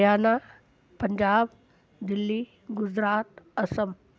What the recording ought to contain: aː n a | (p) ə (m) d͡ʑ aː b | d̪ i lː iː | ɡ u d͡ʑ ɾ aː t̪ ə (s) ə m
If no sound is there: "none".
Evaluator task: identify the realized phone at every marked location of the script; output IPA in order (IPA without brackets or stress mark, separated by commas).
p, ɲ, s